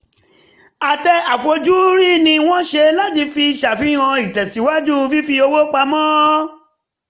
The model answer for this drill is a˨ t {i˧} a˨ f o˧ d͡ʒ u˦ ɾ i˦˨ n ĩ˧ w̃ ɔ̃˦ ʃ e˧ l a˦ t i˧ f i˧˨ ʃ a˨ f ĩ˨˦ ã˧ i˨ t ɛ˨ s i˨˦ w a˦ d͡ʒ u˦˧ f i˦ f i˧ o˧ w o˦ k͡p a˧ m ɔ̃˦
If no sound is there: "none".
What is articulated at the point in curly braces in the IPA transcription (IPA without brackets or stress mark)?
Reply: ɛ˧